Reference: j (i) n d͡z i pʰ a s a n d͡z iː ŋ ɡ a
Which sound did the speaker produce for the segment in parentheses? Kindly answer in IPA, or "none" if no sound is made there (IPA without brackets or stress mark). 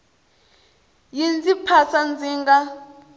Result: i